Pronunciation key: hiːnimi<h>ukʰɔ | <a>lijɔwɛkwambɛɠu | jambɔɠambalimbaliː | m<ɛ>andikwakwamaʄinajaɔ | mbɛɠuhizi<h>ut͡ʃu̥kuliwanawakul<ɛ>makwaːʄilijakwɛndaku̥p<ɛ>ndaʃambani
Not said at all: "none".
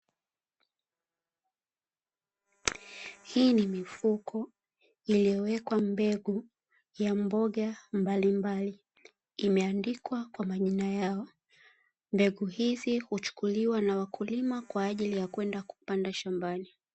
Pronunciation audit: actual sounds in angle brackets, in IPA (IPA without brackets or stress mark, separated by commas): f, i, ɛ, h, i, a